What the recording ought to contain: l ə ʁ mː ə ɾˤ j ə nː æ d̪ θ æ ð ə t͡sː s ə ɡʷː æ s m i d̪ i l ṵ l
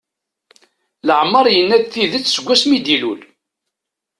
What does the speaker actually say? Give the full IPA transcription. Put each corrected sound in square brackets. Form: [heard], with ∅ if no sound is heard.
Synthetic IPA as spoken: l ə [ʕ] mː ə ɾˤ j ə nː æ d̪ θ [i] ð ə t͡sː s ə ɡʷː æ s m i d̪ i l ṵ l